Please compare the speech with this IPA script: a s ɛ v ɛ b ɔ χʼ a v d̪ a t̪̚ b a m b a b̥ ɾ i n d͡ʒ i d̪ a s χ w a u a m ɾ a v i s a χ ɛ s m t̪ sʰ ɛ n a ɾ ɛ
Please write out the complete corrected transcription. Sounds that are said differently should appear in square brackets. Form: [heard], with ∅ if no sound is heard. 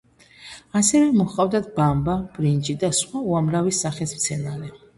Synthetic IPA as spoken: a s ɛ v ɛ [m] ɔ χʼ a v d̪ a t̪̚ b a m b a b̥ ɾ i n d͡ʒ i d̪ a s χ w a u a m ɾ a v i s a χ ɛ s m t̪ sʰ ɛ n a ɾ ɛ